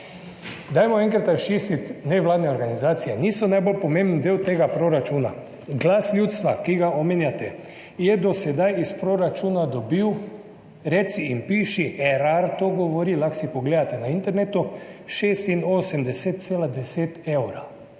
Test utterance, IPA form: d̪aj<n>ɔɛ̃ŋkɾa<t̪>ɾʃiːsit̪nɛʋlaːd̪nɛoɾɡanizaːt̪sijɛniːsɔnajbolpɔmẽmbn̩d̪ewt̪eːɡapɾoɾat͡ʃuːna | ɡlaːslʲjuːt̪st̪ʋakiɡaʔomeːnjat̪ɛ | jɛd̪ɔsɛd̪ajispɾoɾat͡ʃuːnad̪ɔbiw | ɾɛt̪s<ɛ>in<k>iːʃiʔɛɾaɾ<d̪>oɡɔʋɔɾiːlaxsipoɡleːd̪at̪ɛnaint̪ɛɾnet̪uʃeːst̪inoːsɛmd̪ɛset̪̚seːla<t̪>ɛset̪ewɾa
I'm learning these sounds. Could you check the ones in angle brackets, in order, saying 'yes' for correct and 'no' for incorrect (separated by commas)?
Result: no, yes, no, no, no, no